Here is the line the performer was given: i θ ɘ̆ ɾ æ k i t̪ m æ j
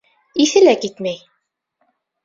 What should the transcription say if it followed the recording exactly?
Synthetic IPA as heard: i θ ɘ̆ l æ k i t̪ m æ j